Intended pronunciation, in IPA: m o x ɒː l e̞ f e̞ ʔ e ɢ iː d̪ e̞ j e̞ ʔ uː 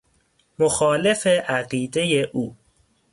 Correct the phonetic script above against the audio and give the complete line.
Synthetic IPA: m o x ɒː l e̞ f e̞ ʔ æ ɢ iː d̪ e̞ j e̞ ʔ uː